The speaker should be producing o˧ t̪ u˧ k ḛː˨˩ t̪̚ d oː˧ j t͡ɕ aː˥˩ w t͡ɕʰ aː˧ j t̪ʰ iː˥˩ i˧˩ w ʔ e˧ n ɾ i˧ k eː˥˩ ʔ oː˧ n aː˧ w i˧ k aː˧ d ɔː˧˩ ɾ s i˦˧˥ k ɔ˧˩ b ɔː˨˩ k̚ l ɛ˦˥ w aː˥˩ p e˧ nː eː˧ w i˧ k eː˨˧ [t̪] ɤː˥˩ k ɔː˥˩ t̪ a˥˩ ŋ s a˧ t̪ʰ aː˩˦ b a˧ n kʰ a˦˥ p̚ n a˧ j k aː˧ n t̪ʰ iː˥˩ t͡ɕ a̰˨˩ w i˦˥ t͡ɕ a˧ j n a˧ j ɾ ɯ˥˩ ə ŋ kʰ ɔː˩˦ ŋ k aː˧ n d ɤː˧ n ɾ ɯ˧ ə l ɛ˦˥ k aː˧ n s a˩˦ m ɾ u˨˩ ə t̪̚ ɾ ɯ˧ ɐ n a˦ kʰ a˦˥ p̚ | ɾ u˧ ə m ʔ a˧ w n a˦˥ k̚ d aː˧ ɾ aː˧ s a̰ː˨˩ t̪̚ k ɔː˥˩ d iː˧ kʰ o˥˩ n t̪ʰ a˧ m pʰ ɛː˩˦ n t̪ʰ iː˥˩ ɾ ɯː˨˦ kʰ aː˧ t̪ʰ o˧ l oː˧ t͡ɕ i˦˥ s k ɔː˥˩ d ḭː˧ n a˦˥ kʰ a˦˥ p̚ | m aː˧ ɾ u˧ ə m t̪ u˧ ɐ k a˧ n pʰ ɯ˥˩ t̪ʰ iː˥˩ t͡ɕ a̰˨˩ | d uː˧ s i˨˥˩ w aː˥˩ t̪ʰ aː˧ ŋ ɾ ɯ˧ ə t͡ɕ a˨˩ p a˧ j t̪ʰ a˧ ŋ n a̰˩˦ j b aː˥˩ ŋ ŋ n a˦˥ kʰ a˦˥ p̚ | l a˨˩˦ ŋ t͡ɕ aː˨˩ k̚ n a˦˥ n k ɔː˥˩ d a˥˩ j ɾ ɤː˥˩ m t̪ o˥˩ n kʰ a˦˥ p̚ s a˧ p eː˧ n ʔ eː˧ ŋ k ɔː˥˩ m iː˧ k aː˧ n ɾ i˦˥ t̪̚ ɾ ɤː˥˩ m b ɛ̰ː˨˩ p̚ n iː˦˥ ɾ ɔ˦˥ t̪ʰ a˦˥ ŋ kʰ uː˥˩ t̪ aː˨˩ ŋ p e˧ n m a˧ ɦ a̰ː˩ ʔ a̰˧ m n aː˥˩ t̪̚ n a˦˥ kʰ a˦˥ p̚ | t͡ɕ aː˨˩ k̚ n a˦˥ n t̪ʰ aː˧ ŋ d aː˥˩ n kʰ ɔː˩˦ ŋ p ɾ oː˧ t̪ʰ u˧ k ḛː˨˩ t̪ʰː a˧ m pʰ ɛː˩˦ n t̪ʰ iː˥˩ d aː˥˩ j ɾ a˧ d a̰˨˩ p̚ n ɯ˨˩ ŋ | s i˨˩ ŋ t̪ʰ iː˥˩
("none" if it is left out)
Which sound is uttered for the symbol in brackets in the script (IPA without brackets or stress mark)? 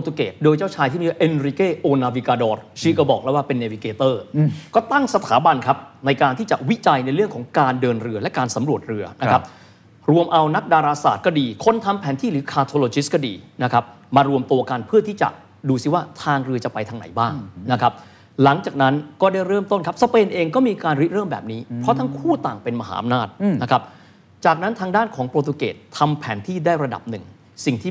t̪